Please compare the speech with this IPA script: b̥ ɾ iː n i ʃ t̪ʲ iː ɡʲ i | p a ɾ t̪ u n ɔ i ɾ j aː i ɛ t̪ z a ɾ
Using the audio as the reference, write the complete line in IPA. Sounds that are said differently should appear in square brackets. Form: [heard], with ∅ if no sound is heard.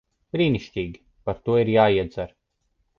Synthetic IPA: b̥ ɾ iː n i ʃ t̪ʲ iː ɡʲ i | p a ɾ t̪ u [∅] ɔ i ɾ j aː i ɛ [d̪] z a ɾ